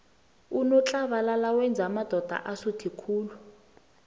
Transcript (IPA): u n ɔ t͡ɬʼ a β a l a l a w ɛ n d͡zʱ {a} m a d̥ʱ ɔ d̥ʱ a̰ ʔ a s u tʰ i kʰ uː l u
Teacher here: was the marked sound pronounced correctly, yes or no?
yes